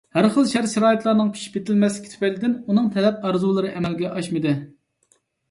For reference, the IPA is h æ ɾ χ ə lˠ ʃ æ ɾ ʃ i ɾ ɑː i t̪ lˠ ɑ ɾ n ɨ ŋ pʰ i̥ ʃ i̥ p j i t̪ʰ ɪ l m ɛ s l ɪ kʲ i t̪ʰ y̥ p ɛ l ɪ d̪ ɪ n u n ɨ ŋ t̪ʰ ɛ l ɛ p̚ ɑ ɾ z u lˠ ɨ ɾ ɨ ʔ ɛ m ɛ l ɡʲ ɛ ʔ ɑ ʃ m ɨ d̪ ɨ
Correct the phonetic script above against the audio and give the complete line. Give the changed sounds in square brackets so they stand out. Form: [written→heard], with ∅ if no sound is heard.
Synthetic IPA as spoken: h æ ɾ χ ə lˠ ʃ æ ɾ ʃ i ɾ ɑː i t̪ lˠ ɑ ɾ n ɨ ŋ pʰ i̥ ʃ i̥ p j [i→e] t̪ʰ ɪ l m ɛ s l ɪ kʲ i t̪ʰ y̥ p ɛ l ɪ d̪ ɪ n u n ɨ ŋ t̪ʰ ɛ l ɛ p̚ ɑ ɾ z u lˠ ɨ ɾ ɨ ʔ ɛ m ɛ l ɡʲ ɛ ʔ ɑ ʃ m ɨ d̪ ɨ